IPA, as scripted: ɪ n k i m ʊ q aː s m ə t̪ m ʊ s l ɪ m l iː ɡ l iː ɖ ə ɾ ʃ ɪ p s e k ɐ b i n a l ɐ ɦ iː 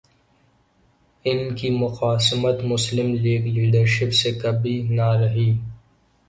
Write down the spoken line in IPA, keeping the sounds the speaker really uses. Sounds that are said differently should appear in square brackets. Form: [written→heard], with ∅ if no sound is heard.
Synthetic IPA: ɪ n k i m ʊ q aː s m ə t̪ m ʊ s l ɪ m l iː ɡ l iː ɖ ə ɾ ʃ ɪ p s e k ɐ b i n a [l→ɾ] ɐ ɦ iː